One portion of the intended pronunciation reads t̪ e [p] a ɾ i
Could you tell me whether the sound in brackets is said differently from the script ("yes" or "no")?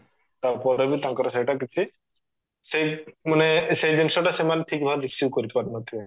no